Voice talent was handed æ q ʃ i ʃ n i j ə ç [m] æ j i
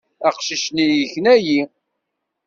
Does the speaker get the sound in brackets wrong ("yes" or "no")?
yes